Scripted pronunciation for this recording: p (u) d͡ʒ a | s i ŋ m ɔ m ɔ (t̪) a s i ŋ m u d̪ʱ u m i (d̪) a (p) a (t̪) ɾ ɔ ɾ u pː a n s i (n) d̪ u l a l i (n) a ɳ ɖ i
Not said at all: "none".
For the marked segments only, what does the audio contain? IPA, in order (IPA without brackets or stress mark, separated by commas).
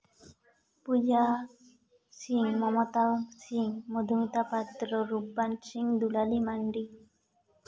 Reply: u, t̪, t̪, p, t̪, ŋ, m